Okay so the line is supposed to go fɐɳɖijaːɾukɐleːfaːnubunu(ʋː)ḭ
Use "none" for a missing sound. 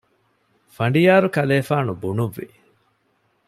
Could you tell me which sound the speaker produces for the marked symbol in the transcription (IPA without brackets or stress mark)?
ʋː